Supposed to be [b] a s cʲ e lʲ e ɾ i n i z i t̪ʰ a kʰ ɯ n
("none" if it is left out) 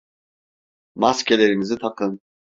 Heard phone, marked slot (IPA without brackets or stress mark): m